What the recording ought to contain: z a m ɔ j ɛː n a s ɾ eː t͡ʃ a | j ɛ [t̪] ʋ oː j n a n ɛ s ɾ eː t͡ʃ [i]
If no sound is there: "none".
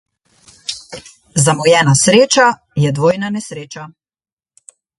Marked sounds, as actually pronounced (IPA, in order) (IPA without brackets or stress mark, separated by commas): d̪, a